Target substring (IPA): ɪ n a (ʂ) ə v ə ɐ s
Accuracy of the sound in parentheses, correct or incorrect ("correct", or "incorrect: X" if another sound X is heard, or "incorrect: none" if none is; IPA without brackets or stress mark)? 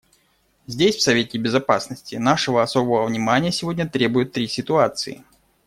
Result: correct